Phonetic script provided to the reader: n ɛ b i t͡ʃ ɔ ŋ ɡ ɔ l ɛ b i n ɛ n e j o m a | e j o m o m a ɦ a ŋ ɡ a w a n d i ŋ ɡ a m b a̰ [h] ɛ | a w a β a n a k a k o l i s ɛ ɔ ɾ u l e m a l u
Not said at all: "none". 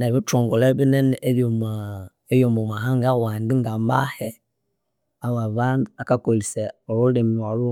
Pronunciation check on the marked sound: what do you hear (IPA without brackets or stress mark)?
h